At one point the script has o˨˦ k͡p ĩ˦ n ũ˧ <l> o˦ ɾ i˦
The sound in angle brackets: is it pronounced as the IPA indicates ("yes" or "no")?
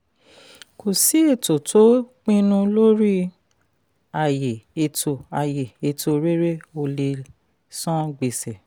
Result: yes